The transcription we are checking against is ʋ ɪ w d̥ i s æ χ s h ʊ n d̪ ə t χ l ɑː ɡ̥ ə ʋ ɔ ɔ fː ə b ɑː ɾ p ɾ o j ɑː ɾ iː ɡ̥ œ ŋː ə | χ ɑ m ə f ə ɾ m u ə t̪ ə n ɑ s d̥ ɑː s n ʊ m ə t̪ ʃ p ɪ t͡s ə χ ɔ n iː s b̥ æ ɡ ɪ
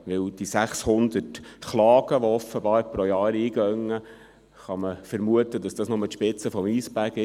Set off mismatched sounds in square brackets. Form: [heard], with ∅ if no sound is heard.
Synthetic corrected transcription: ʋ ɪ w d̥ i s æ χ s h ʊ n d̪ ə t χ l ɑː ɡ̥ ə ʋ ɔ ɔ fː ə b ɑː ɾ p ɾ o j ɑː ɾ iː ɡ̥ œ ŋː ə | χ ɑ m ə f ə ɾ m u ə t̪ ə [d] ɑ s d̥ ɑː s n ʊ m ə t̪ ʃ p ɪ t͡s ə [f] ɔ [m] iː s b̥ æ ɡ ɪ